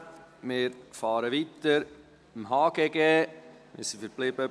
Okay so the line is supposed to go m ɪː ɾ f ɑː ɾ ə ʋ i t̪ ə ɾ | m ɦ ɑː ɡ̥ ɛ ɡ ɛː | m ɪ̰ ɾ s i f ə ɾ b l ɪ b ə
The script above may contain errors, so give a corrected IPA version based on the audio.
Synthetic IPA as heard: m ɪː ɾ f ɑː ɾ ə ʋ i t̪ ə ɾ | m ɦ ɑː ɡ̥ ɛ ɡ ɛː | m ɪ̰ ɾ s i f ə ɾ b l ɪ b ə